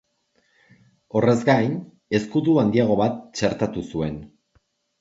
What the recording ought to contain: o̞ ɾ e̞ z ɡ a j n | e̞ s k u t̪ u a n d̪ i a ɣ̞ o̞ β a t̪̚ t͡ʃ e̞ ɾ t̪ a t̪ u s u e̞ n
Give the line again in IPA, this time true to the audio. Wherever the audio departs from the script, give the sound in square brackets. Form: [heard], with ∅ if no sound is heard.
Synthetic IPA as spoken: o̞ [r] e̞ z ɡ a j n | e̞ s k u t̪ u a n d̪ i a ɣ̞ o̞ β a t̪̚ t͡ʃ e̞ ɾ t̪ a t̪ u s u e̞ n